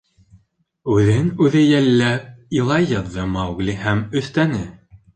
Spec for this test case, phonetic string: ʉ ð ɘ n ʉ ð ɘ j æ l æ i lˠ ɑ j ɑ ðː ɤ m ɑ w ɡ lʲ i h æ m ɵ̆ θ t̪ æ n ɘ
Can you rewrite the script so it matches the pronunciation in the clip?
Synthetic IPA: ʉ ð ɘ n ʉ ð ɘ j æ lː æ i lˠ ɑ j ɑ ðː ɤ m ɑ w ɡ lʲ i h æ m ɵ̆ θ t̪ æ n ɘ

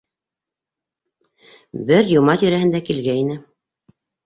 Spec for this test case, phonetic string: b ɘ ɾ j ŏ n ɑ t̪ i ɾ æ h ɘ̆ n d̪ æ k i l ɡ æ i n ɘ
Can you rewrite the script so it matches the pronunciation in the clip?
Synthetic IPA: b ɘ ɾ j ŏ m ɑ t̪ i ɾ æ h ɘ̆ n d̪ æ k i l ɡ æ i n ɘ

